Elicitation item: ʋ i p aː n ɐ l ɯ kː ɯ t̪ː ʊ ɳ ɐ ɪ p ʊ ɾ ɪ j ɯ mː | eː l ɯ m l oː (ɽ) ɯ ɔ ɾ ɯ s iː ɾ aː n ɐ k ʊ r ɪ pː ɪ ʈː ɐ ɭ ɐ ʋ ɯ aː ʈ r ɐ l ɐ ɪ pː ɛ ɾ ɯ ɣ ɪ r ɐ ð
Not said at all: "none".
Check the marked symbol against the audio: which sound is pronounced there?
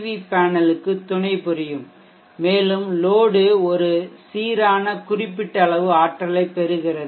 ɽ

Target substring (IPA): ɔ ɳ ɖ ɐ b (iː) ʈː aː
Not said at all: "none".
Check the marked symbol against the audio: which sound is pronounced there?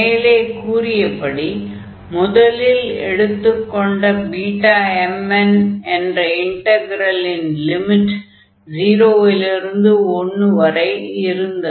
iː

